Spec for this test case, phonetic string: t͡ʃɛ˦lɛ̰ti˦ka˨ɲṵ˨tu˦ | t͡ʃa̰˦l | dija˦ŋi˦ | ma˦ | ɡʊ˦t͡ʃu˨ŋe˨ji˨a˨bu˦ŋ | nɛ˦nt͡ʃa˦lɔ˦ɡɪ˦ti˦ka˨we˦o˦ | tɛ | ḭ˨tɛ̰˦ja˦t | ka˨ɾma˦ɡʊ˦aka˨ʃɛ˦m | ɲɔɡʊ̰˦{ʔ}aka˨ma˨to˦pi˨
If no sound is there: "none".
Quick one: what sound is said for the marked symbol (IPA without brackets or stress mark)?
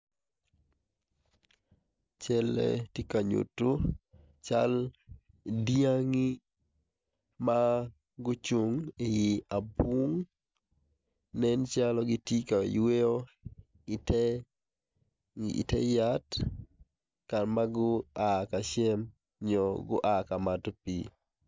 ʔ